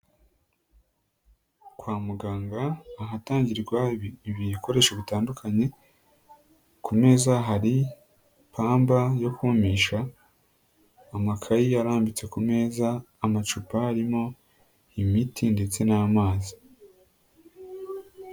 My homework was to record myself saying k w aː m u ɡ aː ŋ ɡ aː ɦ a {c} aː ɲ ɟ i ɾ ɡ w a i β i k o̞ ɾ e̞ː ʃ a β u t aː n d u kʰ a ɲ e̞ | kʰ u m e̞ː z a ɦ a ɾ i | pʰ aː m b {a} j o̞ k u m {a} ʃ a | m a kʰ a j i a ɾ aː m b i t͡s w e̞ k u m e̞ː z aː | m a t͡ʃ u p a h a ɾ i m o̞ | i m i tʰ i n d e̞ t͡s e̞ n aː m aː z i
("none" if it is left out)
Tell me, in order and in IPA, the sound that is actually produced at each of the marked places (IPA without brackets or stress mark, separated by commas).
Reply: t, a, i